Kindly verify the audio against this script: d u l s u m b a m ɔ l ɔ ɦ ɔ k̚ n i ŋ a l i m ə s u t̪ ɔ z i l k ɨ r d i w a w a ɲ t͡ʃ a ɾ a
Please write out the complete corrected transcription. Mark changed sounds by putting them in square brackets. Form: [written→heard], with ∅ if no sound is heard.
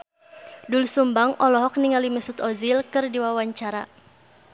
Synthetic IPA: d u l s u m b a [m→ŋ] ɔ l ɔ ɦ ɔ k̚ n i ŋ a l i m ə s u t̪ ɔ z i l k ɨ r d i w a w a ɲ t͡ʃ a ɾ a